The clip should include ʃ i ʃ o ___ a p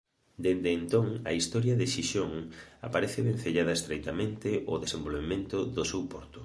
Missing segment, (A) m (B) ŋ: B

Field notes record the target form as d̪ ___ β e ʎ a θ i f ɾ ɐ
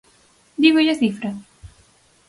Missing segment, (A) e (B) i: B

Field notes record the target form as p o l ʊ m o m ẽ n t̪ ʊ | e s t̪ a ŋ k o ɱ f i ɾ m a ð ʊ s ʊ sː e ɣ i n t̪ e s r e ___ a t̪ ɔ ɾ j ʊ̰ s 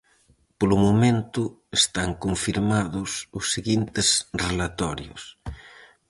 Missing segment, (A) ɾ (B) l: B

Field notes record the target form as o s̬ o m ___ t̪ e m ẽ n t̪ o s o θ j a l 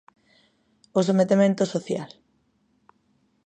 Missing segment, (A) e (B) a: A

